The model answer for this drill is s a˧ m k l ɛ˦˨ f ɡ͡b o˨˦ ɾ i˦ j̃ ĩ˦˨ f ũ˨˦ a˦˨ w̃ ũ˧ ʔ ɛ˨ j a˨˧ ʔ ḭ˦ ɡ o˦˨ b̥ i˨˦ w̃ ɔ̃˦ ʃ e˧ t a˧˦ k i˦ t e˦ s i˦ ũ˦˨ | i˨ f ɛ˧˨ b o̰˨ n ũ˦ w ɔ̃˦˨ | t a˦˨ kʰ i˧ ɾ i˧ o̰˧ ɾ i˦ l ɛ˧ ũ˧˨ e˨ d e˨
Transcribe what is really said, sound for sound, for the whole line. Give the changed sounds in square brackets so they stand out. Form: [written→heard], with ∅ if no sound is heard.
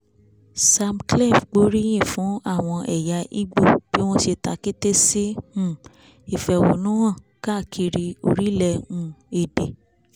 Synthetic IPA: s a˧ m k l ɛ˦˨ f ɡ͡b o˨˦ ɾ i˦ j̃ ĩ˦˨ f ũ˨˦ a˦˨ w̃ [ũ˧→ɔ̃˧] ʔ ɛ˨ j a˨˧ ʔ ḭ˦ [ɡ→ɡ͡b] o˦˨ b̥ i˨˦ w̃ ɔ̃˦ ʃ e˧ t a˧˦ k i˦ t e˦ s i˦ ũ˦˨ | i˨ f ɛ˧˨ [b→w] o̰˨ n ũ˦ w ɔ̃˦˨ | [t→k] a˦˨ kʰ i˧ ɾ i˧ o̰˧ ɾ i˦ l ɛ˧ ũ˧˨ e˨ d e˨